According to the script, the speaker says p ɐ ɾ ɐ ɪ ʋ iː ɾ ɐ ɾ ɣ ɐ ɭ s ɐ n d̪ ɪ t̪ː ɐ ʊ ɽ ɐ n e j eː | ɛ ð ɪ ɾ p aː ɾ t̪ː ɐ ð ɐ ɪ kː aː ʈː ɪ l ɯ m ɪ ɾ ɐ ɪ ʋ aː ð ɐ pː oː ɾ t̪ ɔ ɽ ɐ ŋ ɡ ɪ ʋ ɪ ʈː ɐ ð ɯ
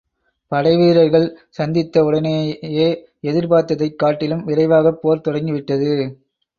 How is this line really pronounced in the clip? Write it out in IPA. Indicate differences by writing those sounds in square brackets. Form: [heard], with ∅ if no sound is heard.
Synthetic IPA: p ɐ [ɽ] ɐ ɪ ʋ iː ɾ ɐ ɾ ɣ ɐ ɭ s ɐ n d̪ ɪ t̪ː ɐ ʊ ɽ ɐ n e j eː | ɛ ð ɪ ɾ p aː ɾ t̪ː ɐ ð ɐ ɪ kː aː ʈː ɪ l ɯ m ɪ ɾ ɐ ɪ ʋ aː [ɣ] ɐ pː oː ɾ t̪ ɔ ɽ ɐ ŋ ɡ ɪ ʋ ɪ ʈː ɐ ð ɯ